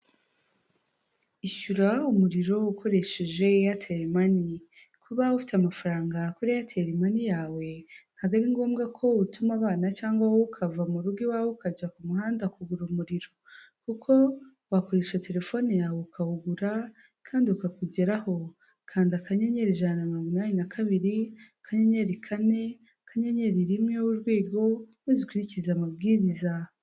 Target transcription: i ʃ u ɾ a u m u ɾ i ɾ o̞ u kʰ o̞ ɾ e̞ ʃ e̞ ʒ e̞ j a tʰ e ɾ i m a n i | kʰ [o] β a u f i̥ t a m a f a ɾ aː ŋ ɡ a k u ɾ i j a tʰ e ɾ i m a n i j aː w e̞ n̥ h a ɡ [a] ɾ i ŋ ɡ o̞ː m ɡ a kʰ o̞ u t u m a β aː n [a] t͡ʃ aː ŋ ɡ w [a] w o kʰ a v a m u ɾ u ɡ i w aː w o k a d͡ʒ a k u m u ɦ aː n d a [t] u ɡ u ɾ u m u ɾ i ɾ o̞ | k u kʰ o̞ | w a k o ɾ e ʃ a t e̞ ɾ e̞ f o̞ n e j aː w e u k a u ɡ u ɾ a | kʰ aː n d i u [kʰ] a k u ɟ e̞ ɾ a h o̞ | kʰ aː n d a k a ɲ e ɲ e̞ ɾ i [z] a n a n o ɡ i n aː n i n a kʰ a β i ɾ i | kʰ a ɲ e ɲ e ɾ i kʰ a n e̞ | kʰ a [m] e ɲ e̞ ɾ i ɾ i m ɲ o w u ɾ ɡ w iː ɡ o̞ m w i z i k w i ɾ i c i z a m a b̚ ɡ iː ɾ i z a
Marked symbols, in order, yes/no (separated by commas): no, yes, yes, yes, no, no, no, no